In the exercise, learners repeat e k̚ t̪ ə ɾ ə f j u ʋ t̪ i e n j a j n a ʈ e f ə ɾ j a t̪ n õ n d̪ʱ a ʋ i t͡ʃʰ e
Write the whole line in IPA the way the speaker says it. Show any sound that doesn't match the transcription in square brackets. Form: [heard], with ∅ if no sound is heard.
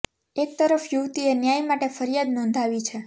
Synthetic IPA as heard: e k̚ t̪ ə ɾ ə f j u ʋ t̪ i e n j a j [m] a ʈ e f ə ɾ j a [d̪] n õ n d̪ʱ a ʋ i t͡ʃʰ e